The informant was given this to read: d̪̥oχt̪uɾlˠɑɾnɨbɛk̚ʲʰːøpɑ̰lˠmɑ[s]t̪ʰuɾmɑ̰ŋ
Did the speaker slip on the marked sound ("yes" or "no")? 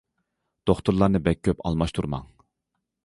yes